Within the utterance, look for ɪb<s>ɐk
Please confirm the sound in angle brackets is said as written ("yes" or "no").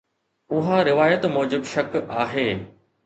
no